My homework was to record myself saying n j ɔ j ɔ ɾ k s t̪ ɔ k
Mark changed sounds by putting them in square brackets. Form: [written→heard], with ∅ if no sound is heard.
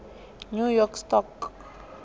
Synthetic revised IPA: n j [ɔ→u] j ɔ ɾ k s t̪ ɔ k